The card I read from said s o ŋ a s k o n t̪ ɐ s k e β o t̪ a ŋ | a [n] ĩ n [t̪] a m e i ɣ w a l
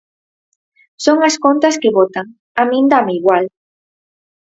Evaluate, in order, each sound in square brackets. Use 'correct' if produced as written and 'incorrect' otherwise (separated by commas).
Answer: incorrect, incorrect